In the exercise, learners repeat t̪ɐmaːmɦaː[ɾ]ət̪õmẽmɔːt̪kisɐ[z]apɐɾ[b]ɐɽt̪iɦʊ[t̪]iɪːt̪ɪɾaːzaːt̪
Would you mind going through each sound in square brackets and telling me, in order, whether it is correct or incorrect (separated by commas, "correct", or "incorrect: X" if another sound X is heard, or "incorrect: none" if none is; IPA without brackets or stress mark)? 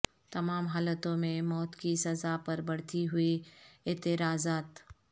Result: incorrect: l, correct, correct, incorrect: none